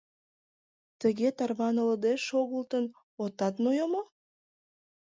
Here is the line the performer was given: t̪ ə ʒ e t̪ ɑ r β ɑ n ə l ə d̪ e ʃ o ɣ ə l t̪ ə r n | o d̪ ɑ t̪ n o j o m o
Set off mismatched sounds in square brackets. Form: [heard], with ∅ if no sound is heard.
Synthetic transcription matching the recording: t̪ ə [ɣ] e t̪ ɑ r β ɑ n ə l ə d̪ e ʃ o ɣ ə l t̪ ə [∅] n | o [t̪] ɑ t̪ n o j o m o